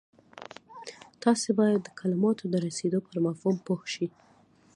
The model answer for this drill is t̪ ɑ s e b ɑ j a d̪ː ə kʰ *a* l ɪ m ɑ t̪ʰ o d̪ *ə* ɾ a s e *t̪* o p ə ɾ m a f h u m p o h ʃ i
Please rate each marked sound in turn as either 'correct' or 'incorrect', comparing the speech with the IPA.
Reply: correct, correct, incorrect

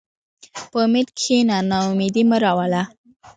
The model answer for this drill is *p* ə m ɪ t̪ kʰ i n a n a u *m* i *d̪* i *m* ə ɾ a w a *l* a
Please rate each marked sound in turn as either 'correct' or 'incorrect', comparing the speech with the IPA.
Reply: correct, correct, correct, correct, correct

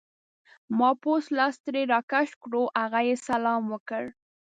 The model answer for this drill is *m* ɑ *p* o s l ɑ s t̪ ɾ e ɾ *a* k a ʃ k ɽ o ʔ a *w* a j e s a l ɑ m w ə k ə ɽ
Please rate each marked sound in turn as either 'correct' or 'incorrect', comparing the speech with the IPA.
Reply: correct, correct, incorrect, incorrect

